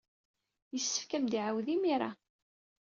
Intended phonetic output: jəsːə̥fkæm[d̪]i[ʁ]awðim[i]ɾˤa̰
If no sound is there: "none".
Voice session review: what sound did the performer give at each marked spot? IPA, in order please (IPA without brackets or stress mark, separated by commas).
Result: d̪, ʕ, i